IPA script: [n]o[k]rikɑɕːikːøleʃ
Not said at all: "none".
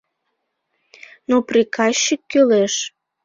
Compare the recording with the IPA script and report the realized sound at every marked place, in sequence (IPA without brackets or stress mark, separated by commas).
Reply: n, p